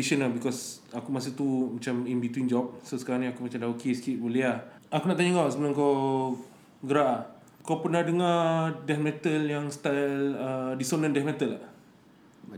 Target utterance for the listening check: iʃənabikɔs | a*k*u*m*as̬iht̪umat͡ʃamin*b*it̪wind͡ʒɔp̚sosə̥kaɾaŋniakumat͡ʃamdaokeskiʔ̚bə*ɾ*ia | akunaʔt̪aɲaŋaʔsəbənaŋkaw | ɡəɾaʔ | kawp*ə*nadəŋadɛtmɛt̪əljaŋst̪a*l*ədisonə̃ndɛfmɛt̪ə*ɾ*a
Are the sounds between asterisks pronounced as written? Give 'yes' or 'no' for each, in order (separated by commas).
yes, yes, yes, no, yes, yes, no